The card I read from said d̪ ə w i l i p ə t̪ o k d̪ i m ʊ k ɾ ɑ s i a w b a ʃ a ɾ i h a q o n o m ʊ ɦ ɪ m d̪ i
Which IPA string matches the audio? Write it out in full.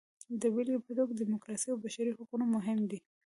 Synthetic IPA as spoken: d̪ ə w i l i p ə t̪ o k d̪ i m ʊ k ɾ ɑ s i a w b a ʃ a ɾ i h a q u n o m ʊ ɦ ɪ m d̪ i